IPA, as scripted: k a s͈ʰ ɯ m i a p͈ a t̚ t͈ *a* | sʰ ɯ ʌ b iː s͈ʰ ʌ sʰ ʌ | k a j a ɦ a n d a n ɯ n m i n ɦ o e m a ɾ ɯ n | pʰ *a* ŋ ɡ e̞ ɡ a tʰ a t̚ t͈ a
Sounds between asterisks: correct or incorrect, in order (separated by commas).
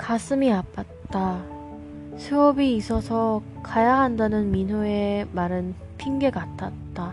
correct, incorrect